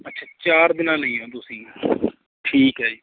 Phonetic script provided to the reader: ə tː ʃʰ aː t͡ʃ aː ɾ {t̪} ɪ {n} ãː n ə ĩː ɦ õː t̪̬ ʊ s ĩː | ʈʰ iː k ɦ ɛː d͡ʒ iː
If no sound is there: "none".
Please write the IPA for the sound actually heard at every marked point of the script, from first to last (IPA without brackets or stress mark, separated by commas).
d̪, n